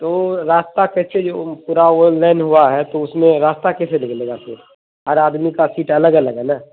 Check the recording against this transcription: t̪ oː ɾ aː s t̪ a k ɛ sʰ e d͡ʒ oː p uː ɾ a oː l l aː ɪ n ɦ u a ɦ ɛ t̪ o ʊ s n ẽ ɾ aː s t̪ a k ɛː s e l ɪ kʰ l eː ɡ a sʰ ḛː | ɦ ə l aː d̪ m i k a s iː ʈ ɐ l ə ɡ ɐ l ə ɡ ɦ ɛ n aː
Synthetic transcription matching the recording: t̪ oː ɾ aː s t̪ a k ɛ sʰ e d͡ʒ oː p uː ɾ a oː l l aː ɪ n ɦ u a ɦ ɛ t̪ o ʊ s m ẽ ɾ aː s t̪ a k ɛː s e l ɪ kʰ l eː ɡ a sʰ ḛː | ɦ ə ɾ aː d̪ m i k a s iː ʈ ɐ l ə ɡ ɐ l ə ɡ ɦ ɛ n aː